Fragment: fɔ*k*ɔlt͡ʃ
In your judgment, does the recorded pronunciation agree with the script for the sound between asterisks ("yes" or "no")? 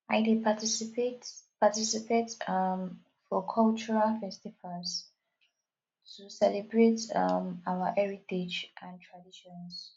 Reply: no